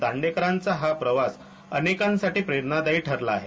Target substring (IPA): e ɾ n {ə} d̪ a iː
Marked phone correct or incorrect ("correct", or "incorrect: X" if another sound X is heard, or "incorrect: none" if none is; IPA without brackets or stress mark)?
incorrect: a